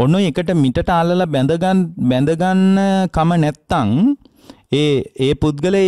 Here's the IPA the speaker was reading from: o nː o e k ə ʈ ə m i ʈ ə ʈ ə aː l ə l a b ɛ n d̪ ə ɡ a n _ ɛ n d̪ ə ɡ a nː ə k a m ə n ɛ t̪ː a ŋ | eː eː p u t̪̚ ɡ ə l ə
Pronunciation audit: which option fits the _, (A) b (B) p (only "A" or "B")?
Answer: A